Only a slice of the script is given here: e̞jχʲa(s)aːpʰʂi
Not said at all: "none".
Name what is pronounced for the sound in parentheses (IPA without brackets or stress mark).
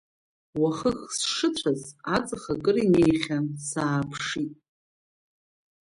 s